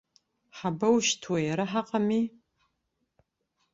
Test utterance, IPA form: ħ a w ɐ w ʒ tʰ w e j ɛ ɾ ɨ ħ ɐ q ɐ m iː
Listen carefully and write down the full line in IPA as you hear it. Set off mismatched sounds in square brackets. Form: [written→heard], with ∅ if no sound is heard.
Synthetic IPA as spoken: ħ a [w→b] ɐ w [ʒ→ʃ] tʰ w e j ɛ ɾ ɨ ħ [ɐ→a] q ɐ m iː